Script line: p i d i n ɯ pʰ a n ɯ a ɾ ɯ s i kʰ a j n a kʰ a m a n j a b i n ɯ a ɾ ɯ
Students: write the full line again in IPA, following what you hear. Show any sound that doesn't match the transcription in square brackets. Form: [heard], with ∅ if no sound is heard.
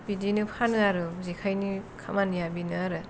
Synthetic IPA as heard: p i d i n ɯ pʰ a n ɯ a ɾ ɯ [z] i kʰ a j n [i] kʰ a m a n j a b i n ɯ a ɾ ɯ